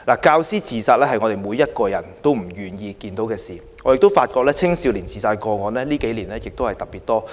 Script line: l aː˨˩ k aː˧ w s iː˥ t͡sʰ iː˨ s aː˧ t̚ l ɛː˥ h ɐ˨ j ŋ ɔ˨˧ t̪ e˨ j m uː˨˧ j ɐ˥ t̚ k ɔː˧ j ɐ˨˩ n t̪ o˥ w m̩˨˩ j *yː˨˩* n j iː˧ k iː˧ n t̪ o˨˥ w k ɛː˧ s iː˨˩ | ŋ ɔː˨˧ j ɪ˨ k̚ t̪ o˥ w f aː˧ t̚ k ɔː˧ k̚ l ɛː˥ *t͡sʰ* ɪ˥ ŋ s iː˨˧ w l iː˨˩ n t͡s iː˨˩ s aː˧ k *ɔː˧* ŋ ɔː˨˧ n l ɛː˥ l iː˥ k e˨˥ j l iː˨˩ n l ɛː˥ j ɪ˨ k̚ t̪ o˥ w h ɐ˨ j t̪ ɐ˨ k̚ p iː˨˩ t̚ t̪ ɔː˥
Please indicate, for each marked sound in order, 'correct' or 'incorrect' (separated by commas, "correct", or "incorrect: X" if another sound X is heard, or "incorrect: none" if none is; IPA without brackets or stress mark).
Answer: correct, correct, correct